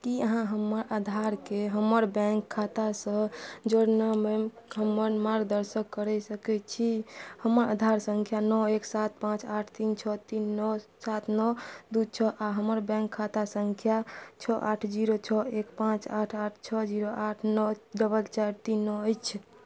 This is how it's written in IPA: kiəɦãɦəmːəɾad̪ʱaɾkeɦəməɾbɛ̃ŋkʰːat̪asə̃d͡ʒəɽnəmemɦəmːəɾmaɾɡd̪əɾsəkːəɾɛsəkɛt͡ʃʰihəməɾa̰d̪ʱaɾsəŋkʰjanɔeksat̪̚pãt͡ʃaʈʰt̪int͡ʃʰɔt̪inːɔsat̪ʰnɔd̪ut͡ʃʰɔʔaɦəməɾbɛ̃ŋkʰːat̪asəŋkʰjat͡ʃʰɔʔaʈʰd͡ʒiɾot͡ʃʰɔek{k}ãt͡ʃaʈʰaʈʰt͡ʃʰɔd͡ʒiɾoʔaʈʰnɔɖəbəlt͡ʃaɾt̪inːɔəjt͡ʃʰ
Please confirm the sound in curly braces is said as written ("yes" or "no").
no